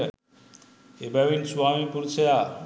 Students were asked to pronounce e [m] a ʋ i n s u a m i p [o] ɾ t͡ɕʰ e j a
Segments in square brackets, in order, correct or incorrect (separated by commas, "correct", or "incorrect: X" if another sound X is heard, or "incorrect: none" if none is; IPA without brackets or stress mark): incorrect: b, incorrect: u